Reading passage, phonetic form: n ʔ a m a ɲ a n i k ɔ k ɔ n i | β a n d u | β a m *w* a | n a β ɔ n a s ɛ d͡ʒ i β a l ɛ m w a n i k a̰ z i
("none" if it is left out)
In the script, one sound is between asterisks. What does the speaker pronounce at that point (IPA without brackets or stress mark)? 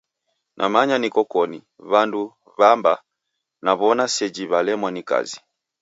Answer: b